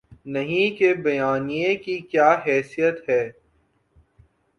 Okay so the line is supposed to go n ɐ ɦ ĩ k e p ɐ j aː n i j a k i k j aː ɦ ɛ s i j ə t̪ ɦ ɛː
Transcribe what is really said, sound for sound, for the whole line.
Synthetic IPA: n ɐ ɦ ĩ k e b ɐ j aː n i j e k i k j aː ɦ ɛː s i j ə t̪ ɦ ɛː